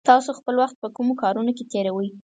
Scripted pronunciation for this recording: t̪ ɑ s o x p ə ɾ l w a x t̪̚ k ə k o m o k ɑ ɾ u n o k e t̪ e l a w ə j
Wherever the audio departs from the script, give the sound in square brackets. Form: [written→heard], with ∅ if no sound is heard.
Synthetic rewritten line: t̪ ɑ s o x p ə [ɾ→∅] l w a x t̪̚ [k→p] ə k [o→u] m o k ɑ ɾ u n o k e t̪ e [l→ɾ] a w ə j